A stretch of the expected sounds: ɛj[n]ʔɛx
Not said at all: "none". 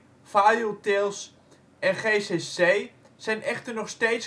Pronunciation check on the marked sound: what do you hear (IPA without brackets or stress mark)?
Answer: n